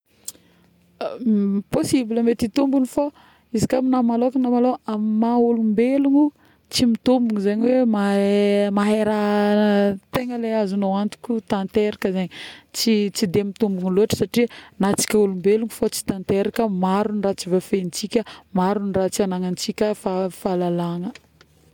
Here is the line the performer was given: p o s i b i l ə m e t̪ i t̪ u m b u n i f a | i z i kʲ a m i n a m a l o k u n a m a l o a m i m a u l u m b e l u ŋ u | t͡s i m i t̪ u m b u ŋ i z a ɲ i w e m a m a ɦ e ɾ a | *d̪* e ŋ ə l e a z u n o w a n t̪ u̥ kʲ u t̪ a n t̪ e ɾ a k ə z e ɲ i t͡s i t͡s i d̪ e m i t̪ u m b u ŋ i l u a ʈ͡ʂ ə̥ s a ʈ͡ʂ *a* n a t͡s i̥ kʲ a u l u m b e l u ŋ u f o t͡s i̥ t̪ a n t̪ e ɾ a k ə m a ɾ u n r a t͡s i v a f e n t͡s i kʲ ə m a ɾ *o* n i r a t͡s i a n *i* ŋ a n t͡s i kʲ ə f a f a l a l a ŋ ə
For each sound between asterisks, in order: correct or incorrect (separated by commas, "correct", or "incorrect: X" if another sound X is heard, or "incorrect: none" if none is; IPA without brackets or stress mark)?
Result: incorrect: t̪, incorrect: i, incorrect: u, incorrect: a